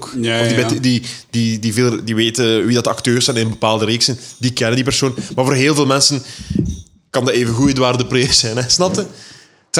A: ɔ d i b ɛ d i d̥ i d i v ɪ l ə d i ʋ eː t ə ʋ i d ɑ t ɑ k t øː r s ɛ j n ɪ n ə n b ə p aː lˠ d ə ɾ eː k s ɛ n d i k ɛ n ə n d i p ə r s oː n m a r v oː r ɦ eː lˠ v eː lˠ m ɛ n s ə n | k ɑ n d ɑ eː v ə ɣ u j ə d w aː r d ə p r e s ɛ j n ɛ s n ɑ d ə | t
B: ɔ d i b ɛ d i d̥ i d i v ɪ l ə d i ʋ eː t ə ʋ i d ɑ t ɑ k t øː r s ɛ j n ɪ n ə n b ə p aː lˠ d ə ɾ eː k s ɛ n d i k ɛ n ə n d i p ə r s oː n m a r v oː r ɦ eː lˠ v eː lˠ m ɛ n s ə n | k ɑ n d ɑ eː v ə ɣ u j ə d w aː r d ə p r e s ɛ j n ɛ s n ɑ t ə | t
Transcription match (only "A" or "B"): B